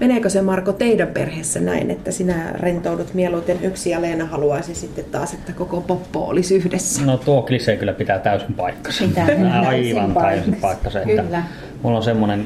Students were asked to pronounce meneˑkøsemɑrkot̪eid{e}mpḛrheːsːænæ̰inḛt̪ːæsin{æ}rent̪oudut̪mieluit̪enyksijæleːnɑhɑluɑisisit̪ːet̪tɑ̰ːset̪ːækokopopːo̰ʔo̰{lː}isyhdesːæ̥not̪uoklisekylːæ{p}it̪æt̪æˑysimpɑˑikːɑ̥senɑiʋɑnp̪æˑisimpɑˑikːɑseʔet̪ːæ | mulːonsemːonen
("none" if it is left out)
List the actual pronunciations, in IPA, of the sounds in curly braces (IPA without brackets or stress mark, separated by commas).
æ, æ, l, p